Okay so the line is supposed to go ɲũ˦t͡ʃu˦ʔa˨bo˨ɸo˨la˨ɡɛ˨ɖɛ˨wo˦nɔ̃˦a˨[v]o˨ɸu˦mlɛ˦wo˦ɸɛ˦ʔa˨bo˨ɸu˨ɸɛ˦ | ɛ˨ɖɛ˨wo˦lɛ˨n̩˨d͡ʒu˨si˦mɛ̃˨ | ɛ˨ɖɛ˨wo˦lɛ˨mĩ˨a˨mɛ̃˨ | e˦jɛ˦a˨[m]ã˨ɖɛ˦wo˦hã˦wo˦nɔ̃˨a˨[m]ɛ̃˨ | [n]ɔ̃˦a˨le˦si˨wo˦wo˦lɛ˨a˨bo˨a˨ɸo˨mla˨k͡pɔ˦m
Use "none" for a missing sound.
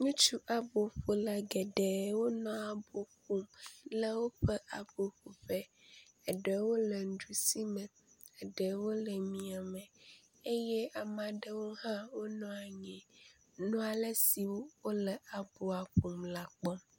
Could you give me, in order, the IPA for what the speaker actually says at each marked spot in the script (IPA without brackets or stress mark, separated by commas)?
b, m, ɲ, n